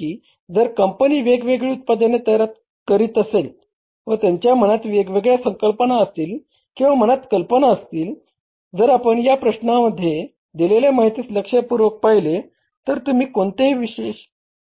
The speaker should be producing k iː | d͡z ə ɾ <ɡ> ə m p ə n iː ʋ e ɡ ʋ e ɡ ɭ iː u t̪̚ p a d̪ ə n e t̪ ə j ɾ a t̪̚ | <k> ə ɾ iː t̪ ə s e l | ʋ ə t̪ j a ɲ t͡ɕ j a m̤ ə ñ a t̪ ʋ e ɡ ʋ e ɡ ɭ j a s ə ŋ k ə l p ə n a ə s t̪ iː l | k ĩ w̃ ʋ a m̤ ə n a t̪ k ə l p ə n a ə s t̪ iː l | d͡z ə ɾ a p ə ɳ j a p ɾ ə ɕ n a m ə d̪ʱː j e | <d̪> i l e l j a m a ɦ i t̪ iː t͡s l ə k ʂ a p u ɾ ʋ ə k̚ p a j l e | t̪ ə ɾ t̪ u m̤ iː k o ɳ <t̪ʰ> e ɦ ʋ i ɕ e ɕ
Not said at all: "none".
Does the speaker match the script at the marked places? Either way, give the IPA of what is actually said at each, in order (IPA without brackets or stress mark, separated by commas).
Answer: k, k, d̪, t̪